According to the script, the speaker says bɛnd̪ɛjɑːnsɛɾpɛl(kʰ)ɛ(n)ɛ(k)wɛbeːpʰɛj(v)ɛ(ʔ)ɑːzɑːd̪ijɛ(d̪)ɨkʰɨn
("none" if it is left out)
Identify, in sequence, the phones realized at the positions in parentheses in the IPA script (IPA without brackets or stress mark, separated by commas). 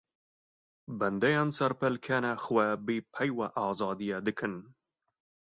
kʰ, n, x, w, ʔ, d̪